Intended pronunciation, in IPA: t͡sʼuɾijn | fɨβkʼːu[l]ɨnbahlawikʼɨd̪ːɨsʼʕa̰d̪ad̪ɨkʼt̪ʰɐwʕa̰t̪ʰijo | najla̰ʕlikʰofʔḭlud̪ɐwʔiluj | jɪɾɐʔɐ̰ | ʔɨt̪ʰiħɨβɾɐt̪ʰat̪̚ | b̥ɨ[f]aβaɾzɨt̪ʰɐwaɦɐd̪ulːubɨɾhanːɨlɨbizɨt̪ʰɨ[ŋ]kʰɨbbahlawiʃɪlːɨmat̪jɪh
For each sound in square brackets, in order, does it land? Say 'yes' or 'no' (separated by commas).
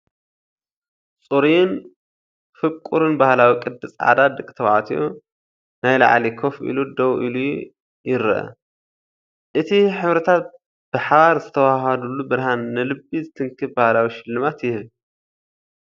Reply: no, no, yes